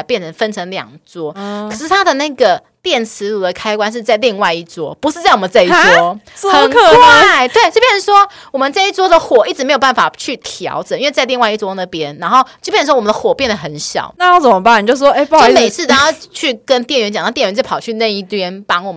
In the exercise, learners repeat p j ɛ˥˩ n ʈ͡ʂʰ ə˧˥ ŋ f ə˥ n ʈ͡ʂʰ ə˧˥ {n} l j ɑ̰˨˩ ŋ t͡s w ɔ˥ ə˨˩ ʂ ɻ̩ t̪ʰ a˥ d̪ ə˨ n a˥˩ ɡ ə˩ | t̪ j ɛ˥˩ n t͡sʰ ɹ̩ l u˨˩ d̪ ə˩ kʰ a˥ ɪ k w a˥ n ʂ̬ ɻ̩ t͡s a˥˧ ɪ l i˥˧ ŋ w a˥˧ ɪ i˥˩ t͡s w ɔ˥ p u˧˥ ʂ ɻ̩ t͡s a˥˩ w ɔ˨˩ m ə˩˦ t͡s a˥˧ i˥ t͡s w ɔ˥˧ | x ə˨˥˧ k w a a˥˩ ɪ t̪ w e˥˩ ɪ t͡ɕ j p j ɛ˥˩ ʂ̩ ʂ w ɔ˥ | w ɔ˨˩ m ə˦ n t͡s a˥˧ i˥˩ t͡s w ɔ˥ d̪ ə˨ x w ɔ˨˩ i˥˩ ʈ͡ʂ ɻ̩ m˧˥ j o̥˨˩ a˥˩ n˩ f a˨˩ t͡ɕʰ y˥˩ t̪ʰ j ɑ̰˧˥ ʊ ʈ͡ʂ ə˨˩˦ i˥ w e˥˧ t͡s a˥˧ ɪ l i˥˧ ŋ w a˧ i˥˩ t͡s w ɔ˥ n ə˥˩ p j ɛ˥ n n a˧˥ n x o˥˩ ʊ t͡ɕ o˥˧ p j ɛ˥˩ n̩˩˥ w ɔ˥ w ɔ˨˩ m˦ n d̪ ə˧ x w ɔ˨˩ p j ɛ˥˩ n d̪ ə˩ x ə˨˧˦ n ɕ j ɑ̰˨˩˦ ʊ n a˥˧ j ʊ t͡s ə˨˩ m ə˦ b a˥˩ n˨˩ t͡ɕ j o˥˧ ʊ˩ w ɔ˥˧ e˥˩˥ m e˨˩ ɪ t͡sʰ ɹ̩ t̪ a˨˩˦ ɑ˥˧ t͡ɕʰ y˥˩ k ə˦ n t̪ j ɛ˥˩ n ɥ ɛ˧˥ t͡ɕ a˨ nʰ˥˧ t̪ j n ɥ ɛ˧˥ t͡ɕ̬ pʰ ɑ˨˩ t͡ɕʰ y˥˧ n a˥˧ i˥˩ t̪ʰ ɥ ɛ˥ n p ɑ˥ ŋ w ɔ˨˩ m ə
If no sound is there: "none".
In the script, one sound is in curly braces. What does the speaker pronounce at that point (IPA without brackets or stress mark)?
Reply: ŋ